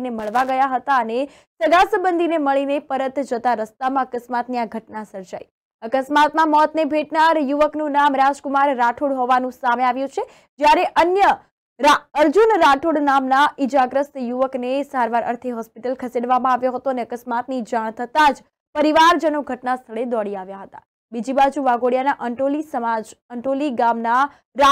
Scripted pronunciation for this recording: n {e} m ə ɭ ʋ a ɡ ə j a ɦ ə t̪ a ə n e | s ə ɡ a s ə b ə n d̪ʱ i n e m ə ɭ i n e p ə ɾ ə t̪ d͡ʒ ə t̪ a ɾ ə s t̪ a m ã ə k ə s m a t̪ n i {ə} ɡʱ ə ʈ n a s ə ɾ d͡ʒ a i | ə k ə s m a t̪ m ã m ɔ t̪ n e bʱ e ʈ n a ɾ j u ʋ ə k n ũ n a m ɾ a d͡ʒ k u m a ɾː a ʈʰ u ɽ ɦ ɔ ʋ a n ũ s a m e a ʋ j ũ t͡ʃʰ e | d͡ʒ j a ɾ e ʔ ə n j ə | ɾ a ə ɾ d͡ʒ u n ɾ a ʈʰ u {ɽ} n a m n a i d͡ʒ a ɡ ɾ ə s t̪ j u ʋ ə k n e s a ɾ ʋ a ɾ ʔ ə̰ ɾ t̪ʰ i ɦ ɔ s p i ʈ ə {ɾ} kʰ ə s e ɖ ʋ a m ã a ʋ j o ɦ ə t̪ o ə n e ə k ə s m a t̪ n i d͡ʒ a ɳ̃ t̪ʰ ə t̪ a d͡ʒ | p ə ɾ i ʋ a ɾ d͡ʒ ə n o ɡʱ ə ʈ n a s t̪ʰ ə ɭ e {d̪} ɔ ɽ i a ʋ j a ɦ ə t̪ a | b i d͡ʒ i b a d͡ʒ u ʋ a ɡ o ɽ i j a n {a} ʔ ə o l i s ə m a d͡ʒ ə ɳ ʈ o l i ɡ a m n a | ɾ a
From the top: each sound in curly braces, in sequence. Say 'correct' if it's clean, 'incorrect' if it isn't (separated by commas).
correct, incorrect, correct, incorrect, correct, correct